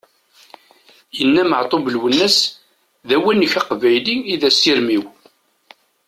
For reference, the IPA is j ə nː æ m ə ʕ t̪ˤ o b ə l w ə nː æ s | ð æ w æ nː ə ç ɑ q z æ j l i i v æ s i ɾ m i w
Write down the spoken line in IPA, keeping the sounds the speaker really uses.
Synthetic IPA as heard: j ə nː æ m ə ʕ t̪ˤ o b ə l w ə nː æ s | ð æ w æ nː ə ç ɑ q v æ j l i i ð æ s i ɾ m i w